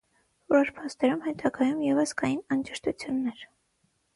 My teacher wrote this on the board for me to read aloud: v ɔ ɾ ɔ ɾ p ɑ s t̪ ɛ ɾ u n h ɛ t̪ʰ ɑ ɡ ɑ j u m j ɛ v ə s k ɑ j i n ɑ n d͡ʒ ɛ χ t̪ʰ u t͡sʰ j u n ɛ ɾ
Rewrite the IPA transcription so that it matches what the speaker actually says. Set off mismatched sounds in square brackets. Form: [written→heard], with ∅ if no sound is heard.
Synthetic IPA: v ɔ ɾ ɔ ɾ [p→pʰ] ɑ s t̪ ɛ ɾ u [n→m] h ɛ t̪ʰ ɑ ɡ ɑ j u m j ɛ v ə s k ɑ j i n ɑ n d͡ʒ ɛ [χ→ʃ] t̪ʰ u t͡sʰ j u [n→nː] ɛ ɾ